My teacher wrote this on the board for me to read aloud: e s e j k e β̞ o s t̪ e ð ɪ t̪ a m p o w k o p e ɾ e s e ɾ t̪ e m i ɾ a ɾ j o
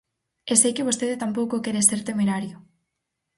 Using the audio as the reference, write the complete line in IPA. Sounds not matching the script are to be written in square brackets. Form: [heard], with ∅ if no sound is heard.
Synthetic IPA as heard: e s e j k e β̞ o s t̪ e ð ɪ t̪ a m p o w k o [k] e ɾ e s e ɾ t̪ e m [e] ɾ a ɾ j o